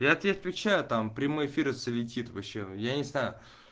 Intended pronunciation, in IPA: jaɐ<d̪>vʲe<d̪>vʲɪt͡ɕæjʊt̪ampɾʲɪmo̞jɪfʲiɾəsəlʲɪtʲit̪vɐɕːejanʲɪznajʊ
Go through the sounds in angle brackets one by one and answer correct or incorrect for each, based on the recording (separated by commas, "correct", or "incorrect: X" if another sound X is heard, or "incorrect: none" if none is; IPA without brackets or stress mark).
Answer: incorrect: t̪, incorrect: t̪